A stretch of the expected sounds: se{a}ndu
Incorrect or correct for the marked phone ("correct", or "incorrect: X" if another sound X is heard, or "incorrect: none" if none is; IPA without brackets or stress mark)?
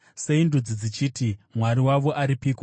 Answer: incorrect: i